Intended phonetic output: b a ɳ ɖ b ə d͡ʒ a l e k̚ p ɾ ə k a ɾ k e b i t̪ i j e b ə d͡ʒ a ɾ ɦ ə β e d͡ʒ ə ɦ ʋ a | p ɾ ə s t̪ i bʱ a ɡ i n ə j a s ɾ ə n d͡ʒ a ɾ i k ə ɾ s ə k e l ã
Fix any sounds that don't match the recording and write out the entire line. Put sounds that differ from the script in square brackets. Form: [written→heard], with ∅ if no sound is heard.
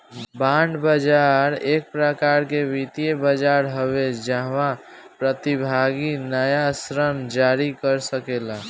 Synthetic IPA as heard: b a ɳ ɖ b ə d͡ʒ a [l→ɾ] e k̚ p ɾ ə k a ɾ k e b i t̪ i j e b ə d͡ʒ a ɾ ɦ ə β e d͡ʒ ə ɦ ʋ a | p ɾ ə [s→∅] t̪ i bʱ a ɡ i n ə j a s ɾ ə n d͡ʒ a ɾ i k ə ɾ s ə k e l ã